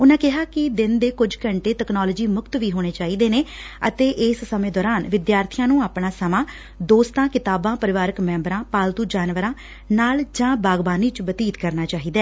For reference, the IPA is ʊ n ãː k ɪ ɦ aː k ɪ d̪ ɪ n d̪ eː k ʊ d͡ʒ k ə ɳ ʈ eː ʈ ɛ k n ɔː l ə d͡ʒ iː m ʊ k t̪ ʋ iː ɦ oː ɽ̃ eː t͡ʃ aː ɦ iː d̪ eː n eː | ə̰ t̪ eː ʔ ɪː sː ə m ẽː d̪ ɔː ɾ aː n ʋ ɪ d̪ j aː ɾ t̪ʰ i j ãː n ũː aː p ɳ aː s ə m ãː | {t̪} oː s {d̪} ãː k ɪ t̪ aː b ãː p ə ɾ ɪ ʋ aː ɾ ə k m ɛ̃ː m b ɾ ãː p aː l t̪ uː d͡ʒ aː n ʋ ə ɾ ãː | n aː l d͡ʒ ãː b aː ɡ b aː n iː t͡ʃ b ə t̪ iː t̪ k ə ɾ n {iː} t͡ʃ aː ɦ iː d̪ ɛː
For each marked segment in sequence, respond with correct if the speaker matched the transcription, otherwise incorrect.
incorrect: d̪, incorrect: t̪, incorrect: aː

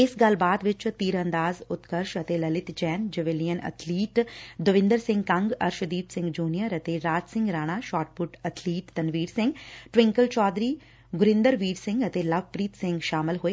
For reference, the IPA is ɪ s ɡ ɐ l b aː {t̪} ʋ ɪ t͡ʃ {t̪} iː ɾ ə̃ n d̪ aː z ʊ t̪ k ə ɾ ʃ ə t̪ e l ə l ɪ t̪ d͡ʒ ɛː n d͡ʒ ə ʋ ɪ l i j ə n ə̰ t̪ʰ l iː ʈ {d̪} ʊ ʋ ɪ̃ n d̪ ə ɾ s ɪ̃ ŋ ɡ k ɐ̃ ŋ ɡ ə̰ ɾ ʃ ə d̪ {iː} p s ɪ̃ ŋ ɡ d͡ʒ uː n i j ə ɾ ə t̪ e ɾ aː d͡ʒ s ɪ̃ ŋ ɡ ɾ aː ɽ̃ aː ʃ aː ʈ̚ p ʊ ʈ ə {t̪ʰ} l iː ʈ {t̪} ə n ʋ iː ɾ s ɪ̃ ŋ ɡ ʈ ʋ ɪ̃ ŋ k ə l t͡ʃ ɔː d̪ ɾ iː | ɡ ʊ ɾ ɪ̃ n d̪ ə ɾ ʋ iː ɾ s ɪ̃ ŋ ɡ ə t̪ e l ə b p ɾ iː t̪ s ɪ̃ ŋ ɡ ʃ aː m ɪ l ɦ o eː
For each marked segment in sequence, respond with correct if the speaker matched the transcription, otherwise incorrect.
incorrect: d̪, correct, correct, correct, correct, correct

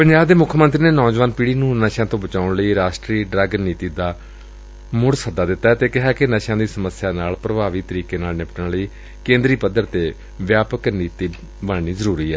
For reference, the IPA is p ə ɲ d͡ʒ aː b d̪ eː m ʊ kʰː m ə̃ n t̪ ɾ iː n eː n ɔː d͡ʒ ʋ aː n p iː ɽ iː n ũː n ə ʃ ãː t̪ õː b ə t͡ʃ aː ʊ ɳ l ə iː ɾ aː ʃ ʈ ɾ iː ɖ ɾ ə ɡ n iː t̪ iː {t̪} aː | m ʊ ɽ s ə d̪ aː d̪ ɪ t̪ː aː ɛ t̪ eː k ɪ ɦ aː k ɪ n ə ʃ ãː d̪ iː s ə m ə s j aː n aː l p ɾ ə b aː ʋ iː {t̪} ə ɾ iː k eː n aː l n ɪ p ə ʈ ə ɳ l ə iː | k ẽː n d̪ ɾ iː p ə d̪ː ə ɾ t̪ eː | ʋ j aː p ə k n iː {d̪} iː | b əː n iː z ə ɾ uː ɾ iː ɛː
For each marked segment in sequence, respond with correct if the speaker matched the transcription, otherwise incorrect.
incorrect: d̪, correct, incorrect: t̪

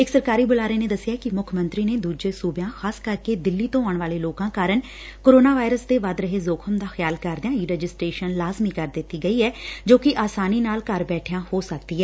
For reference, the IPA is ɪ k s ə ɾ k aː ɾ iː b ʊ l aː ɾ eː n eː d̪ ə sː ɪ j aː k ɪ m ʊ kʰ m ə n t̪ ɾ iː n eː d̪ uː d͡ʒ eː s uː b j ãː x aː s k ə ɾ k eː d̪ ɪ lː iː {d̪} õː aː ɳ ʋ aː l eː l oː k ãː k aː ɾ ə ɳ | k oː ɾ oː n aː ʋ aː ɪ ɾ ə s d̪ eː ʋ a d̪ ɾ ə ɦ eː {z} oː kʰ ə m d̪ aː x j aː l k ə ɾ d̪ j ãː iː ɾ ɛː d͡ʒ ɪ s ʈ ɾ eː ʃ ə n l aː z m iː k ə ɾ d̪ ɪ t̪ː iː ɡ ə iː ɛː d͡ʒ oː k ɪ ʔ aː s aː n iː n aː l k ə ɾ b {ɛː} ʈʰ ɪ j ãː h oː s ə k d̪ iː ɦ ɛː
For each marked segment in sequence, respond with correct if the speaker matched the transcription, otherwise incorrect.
incorrect: t̪, correct, correct

